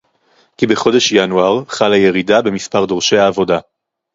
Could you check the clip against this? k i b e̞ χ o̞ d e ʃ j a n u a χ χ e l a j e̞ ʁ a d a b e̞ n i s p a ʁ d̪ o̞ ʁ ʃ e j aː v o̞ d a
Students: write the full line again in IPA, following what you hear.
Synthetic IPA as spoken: k i b e̞ χ o̞ d e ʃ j a n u a ʁ χ a l a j e̞ ʁ i d a b e̞ m i s p a ʁ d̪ o̞ ʁ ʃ e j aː v o̞ d a

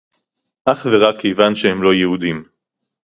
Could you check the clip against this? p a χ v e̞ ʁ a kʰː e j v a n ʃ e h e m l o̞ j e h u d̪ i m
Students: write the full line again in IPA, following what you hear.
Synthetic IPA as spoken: ʔ a χ v e̞ ʁ a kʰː e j v a n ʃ e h e m l o̞ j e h u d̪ i m

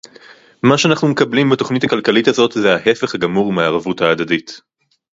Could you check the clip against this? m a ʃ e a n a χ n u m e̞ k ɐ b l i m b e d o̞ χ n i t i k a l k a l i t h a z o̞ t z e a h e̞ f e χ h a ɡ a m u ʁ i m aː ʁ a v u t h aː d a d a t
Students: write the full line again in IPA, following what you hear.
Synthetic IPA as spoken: m a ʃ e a n a χ n u m e̞ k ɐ b l i m b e t o̞ χ n i t a k a l k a l i t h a z o̞ t z e a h e̞ f e χ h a ɡ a m u ʁ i m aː ʁ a v u t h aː d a d i t

